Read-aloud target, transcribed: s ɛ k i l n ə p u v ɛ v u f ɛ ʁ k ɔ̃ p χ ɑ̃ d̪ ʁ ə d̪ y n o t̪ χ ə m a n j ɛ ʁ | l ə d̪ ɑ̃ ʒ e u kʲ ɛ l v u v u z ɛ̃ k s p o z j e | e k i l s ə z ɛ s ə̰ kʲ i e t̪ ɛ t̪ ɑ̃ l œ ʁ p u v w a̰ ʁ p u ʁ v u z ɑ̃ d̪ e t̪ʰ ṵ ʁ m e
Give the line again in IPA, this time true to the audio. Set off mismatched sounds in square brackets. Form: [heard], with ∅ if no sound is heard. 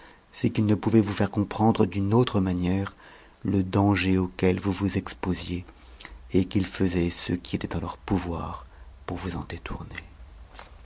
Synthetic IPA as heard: s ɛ k i l n ə p u v ɛ v u f ɛ ʁ k ɔ̃ p χ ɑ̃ d̪ ʁ ə d̪ y n o t̪ χ ə m a n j ɛ ʁ | l ə d̪ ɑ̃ ʒ e [o] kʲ ɛ l v u v u z [ɛ] k s p o z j e | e k i l [f] ə z ɛ s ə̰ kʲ i e t̪ ɛ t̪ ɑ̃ l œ ʁ p u v w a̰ ʁ p u ʁ v u z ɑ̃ d̪ e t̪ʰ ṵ ʁ [n] e

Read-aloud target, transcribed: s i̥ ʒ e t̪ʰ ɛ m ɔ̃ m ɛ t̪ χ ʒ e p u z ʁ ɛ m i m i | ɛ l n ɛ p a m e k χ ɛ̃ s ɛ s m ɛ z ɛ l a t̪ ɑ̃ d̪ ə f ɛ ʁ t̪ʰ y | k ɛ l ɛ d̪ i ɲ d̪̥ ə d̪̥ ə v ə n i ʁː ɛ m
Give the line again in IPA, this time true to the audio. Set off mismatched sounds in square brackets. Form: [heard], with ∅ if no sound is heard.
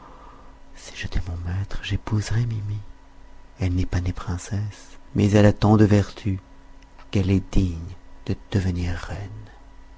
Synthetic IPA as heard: s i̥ ʒ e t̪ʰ ɛ m ɔ̃ m ɛ t̪ χ ʒ e p u z ʁ ɛ m i m i | ɛ l n ɛ p a [n] e [p] χ ɛ̃ s ɛ s m ɛ z ɛ l a t̪ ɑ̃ d̪ ə [v] ɛ ʁ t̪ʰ y | k ɛ l ɛ d̪ i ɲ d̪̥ ə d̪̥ ə v ə n i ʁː ɛ [n]

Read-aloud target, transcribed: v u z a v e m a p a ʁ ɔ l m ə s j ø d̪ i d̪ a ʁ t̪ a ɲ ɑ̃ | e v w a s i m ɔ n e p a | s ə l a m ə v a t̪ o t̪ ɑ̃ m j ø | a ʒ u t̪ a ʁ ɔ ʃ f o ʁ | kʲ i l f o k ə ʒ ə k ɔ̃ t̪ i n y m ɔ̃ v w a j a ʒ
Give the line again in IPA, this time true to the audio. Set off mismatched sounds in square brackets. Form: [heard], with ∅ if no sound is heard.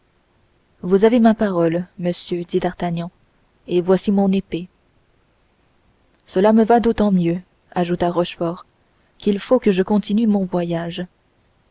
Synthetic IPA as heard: v u z a v e m a p a ʁ ɔ l m ə s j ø d̪ i d̪ a ʁ t̪ a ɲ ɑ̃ | e v w a s i m [ɔ̃] n e p [e] | s ə l a m ə v a [d̪] o t̪ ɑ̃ m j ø | a ʒ u t̪ a ʁ ɔ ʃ f [ɔ] ʁ | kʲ i l f o k ə ʒ ə k ɔ̃ t̪ i n y m ɔ̃ v w a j a ʒ

